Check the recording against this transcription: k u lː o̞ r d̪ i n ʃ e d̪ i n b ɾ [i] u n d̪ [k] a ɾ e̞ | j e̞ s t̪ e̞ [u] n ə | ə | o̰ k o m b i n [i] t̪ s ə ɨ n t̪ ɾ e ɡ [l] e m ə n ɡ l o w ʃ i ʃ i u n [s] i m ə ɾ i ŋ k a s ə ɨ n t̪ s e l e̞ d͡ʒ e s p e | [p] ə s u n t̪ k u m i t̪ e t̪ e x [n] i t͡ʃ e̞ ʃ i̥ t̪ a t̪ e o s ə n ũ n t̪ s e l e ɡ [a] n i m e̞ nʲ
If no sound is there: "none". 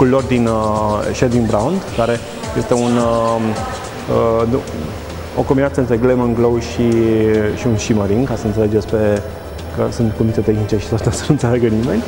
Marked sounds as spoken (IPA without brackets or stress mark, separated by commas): a, k, u, a, l, ʃ, k, n, ə